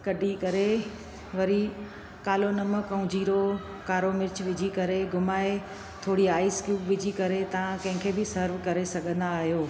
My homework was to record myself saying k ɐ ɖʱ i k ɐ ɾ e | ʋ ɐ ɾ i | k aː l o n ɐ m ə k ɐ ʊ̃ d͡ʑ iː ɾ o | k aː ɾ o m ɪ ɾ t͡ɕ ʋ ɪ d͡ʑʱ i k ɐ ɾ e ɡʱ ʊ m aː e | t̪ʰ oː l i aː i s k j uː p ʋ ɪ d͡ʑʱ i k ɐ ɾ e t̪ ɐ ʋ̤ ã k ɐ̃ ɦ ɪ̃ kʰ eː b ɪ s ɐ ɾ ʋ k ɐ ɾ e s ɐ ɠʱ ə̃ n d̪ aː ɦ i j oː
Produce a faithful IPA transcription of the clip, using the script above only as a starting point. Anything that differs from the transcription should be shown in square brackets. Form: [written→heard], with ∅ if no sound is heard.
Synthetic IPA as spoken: k ɐ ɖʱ i k ɐ ɾ e | ʋ ɐ ɾ i | k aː l o n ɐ m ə k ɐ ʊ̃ d͡ʑ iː ɾ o | k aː ɾ o m ɪ ɾ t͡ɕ ʋ ɪ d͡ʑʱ i k ɐ ɾ e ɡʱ ʊ m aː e | t̪ʰ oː [l→ɽ] i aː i s k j uː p ʋ ɪ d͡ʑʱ i k ɐ ɾ e t̪ ɐ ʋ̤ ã k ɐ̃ ɦ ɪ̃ kʰ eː b ɪ s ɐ ɾ ʋ k ɐ ɾ e s ɐ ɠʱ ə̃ n d̪ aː ɦ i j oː